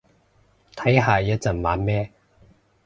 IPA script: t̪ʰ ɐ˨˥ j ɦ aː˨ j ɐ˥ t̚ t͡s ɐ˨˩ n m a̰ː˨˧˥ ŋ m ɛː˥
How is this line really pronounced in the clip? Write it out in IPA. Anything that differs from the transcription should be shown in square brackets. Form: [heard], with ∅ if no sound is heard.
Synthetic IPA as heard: t̪ʰ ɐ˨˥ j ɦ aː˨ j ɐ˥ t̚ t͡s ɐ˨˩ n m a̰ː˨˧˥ [n] m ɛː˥